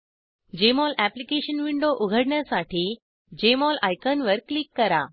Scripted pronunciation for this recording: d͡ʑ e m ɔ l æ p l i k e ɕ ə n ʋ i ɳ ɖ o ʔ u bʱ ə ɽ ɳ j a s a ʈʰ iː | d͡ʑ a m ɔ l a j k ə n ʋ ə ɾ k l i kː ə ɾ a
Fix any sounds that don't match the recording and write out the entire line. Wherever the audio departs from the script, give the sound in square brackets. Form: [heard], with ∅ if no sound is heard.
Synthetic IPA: d͡ʑ e m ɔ l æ p l i k e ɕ ə n ʋ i ɳ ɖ o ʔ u [ɡʱ] ə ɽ ɳ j a s a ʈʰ iː | d͡ʑ [e] m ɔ l a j k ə n ʋ ə ɾ k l i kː ə ɾ a